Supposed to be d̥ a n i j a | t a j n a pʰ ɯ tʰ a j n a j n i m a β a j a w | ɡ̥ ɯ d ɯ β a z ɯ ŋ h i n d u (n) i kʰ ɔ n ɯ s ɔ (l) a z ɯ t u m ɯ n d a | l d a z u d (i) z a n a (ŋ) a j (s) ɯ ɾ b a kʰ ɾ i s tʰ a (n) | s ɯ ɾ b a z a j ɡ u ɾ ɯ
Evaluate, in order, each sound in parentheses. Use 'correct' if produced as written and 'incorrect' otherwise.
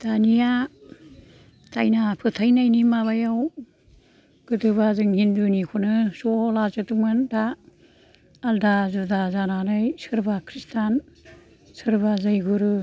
correct, correct, incorrect: a, incorrect: n, correct, correct

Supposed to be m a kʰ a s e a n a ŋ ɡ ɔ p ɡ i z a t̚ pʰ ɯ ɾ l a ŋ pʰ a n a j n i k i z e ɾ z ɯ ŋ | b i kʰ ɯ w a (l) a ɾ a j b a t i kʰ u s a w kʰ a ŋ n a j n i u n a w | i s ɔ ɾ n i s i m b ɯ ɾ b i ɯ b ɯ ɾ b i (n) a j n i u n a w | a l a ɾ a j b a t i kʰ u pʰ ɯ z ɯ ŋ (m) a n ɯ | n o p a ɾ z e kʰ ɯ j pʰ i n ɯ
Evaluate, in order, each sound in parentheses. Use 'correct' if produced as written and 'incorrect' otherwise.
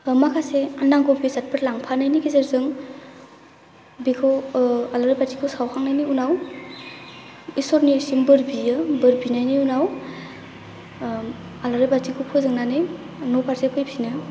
correct, correct, incorrect: n

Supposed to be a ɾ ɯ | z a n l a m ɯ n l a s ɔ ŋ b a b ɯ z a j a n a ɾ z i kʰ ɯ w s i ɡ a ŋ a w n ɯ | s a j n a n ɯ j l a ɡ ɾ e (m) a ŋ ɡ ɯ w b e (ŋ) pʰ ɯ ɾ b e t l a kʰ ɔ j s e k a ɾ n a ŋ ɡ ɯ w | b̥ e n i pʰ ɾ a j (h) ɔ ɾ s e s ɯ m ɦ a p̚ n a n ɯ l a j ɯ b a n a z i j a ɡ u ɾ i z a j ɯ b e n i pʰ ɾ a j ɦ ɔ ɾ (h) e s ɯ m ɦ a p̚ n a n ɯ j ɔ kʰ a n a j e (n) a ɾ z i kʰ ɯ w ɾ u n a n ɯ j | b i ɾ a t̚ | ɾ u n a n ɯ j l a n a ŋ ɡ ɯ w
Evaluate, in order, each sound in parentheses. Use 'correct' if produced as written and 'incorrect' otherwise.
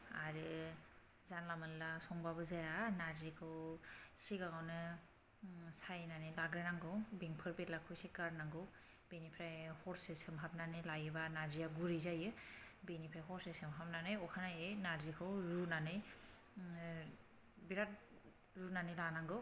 incorrect: n, correct, correct, incorrect: s, correct

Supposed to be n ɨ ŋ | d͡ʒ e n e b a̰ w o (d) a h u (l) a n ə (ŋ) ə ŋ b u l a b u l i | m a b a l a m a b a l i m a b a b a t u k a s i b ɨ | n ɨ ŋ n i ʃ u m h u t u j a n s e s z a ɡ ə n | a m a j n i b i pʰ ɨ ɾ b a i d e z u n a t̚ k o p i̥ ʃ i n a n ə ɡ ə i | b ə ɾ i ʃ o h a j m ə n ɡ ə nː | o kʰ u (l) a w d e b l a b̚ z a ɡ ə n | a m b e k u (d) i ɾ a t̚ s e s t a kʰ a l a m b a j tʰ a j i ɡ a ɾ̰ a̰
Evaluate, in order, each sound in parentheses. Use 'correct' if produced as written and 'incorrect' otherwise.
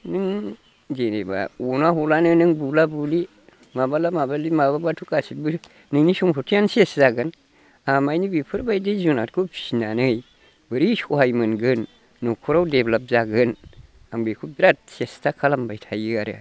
incorrect: n, correct, incorrect: n, incorrect: ɾ, incorrect: b

